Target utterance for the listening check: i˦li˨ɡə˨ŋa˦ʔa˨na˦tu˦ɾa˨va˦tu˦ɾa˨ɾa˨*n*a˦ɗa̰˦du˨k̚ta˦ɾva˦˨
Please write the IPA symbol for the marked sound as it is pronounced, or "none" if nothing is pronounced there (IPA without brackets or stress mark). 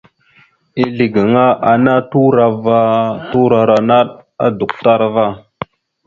n